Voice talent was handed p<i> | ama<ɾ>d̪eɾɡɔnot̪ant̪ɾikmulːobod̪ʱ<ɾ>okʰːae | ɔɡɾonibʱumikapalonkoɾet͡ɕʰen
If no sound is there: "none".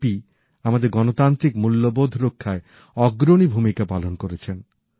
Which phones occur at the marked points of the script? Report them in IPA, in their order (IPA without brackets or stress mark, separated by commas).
i, none, ɾ